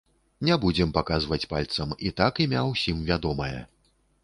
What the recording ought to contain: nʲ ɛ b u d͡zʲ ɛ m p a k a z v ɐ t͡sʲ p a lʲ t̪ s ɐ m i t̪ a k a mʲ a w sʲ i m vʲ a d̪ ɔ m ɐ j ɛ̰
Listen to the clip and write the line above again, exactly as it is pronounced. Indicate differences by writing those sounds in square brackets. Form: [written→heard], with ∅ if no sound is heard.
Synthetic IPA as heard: nʲ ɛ b u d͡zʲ ɛ m p a k a z v ɐ t͡sʲ p a lʲ t̪ s ɐ m i t̪ a k [a→i] mʲ a w sʲ i m vʲ a d̪ ɔ m ɐ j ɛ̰